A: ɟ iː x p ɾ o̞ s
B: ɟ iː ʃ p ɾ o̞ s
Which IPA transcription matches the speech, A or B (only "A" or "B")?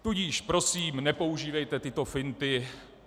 B